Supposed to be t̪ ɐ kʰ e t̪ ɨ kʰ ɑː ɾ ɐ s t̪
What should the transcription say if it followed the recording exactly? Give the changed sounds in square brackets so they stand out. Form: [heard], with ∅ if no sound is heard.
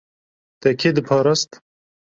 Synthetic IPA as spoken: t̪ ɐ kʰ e [d̪] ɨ [pʰ] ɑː ɾ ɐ s t̪